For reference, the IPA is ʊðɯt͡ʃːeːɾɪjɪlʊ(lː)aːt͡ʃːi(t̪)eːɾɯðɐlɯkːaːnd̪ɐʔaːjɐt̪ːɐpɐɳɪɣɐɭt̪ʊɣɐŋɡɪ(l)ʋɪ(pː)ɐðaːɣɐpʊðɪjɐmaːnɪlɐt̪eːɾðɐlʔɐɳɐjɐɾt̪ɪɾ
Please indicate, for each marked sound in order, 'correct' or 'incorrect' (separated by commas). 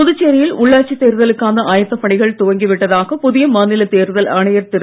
incorrect, correct, incorrect, incorrect